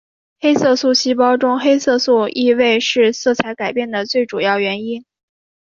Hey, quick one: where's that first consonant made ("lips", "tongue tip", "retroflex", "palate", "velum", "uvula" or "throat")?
velum